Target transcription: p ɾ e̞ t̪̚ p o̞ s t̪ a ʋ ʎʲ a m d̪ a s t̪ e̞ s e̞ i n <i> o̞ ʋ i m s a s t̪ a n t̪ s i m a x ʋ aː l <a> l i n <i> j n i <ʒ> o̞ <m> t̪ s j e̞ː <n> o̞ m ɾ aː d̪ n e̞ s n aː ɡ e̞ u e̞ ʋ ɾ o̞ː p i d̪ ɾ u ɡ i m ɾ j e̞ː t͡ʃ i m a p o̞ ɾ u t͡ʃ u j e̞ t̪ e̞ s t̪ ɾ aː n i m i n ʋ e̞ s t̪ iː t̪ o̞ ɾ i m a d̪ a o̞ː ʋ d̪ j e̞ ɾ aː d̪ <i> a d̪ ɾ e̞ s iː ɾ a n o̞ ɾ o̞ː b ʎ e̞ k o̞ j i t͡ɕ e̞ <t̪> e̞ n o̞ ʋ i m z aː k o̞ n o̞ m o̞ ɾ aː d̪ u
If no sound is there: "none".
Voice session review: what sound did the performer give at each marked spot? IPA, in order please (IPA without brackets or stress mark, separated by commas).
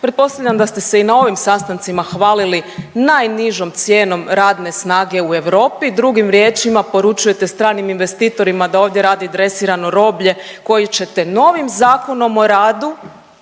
a, i, a, ʒ, m, n, i, t̪